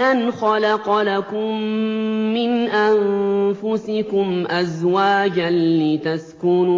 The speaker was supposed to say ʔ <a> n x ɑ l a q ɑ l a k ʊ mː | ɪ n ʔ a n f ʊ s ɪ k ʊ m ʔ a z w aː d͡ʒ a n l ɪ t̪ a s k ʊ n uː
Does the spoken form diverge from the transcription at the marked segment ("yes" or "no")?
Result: no